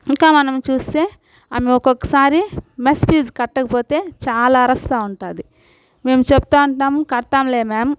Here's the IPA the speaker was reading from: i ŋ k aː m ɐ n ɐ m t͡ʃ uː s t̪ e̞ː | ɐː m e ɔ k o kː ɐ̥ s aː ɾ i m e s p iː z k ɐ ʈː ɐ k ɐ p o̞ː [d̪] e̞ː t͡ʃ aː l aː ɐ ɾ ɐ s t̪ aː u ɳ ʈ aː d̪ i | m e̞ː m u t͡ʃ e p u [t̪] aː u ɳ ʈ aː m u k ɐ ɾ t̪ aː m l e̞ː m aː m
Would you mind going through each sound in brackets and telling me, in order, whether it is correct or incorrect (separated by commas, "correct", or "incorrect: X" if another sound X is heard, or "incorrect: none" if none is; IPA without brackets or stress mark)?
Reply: incorrect: t̪, correct